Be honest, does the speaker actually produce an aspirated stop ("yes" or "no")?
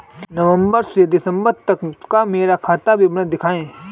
yes